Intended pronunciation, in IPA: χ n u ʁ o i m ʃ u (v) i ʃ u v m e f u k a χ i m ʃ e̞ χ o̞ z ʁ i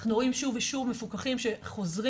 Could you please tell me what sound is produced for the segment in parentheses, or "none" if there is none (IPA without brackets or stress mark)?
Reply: v